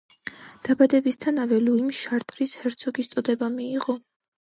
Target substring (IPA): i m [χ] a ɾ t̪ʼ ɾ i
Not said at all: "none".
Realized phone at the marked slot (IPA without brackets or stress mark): ʃ